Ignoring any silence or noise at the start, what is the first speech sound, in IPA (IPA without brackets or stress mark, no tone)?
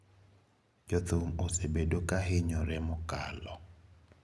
d͡ʒ